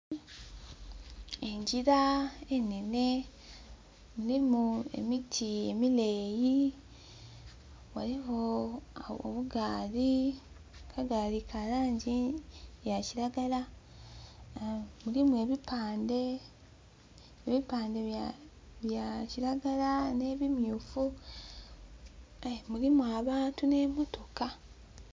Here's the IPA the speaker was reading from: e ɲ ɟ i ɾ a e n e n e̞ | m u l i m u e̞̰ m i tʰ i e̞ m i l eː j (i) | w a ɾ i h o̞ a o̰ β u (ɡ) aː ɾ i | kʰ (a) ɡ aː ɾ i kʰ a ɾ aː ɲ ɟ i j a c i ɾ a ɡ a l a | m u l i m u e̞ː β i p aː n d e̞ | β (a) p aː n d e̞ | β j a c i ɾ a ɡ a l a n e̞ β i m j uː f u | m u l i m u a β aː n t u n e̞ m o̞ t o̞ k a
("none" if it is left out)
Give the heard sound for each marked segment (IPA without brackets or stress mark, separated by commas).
i, ɡ, a, i